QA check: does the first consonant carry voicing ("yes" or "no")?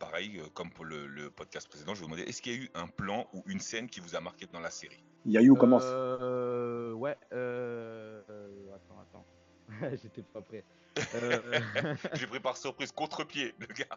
no